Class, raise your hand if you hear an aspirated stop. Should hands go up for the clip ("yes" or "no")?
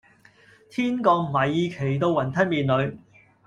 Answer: yes